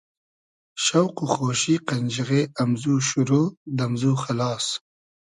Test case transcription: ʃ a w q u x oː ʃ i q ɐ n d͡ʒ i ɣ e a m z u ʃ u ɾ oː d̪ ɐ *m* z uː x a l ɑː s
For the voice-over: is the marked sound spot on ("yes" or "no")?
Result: yes